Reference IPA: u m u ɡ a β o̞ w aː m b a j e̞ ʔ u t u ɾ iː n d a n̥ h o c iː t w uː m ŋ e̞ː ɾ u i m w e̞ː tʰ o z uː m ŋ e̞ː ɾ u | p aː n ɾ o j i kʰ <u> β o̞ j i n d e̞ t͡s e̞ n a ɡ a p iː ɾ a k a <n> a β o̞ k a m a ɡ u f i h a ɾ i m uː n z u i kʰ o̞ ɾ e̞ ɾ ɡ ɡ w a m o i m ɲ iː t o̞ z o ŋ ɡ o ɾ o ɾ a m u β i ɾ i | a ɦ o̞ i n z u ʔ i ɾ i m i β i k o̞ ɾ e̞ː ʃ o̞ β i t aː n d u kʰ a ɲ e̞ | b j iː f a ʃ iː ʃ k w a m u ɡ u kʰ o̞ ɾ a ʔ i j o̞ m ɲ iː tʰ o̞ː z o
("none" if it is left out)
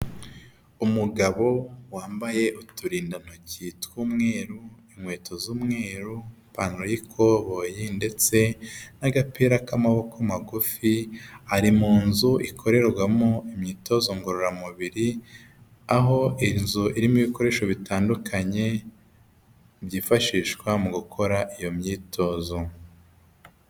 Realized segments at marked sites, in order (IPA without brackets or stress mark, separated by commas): o, m